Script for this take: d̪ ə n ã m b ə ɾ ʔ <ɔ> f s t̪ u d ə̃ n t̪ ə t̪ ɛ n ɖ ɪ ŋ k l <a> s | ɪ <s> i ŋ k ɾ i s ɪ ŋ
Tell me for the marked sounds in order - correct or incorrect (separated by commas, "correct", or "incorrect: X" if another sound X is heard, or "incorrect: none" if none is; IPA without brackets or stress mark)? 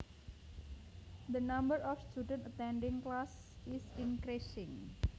correct, correct, correct